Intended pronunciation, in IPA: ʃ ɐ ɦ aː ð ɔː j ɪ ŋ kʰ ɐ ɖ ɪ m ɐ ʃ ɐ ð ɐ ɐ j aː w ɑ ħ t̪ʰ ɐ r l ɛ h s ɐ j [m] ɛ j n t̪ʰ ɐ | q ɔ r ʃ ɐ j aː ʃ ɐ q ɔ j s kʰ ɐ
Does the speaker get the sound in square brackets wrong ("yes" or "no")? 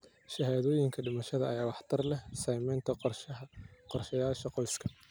no